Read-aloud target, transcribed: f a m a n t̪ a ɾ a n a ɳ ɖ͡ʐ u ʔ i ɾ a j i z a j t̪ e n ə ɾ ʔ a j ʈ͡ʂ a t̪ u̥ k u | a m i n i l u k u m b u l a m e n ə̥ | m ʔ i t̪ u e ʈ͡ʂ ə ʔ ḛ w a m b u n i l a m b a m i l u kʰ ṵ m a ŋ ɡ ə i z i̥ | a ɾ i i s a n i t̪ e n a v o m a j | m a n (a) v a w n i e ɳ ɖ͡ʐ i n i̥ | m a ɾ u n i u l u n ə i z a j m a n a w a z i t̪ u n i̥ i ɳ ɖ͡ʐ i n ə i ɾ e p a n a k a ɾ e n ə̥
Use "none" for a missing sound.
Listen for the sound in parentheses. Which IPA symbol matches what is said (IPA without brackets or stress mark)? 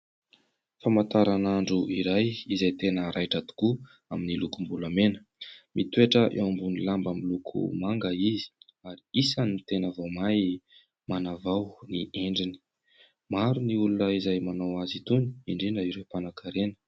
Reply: a